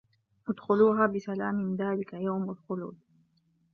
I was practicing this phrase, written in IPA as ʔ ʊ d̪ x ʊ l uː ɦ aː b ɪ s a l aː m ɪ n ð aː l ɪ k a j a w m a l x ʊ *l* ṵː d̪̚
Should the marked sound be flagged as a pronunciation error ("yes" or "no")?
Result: no